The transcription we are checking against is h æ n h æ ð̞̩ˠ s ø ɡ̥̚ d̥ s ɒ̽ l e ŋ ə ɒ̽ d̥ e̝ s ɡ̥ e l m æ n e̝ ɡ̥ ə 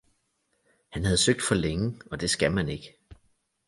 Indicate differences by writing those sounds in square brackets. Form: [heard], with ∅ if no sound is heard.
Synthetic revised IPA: h æ n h æ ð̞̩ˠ s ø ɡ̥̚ d̥ [f] ɒ̽ l e ŋ ə ɒ̽ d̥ e̝ s ɡ̥ [æ] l m æ n e̝ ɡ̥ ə